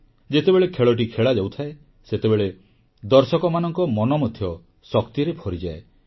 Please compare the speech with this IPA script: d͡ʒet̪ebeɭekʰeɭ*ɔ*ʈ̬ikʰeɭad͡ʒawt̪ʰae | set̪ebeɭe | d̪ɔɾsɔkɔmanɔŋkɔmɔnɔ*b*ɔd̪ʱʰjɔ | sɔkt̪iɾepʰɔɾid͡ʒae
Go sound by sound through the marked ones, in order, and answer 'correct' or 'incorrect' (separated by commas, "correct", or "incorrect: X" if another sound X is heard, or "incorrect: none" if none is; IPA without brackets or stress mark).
correct, incorrect: m